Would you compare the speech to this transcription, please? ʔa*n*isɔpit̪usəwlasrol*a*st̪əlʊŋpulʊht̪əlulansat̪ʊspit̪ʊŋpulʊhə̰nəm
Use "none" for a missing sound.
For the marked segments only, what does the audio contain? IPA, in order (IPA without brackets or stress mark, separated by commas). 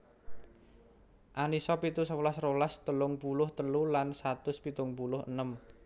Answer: n, a